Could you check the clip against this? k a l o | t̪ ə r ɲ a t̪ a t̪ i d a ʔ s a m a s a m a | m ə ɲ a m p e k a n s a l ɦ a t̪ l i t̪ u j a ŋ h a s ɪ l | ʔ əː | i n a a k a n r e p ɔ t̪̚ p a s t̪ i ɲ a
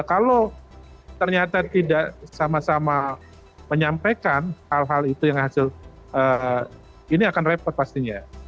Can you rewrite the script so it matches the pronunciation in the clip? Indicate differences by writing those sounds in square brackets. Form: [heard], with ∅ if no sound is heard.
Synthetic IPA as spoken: k a l o | t̪ ə r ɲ a t̪ a t̪ i d a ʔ s a m a s a m a | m ə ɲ a m p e k a n [h] a l ɦ a [∅] l i t̪ u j a ŋ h a s ɪ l | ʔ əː | i n [i] a k a n r e p ɔ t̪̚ p a s t̪ i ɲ a